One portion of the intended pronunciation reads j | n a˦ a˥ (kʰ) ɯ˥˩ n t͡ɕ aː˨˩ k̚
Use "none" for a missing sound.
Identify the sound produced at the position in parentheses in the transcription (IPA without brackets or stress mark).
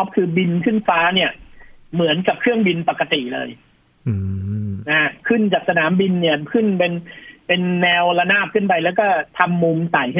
kʰ